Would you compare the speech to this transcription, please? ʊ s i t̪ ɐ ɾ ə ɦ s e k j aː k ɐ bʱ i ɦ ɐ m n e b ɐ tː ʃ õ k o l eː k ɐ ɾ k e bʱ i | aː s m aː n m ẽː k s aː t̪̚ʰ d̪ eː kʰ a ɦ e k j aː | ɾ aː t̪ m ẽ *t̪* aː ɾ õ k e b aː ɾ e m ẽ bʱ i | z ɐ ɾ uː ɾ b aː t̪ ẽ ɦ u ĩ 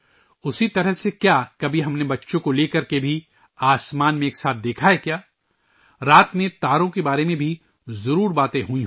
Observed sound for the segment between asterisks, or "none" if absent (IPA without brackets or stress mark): t̪